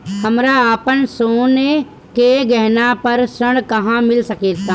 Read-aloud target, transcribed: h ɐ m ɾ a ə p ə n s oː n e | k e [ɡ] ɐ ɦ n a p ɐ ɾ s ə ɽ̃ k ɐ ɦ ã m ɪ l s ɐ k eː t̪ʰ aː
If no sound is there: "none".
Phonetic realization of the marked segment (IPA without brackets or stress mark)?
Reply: ɡ